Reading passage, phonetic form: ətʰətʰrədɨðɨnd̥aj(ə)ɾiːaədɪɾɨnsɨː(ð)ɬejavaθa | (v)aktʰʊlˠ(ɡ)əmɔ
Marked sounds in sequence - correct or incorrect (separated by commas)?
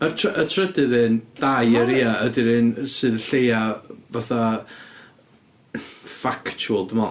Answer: correct, correct, incorrect, incorrect